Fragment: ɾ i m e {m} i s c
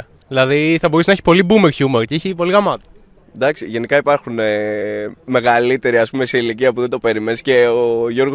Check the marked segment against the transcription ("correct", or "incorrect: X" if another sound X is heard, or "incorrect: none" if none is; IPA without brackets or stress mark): incorrect: n